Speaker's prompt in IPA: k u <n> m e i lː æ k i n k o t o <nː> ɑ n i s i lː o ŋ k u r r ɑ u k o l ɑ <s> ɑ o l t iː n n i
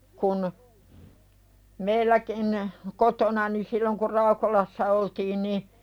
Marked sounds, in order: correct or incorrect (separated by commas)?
correct, incorrect, incorrect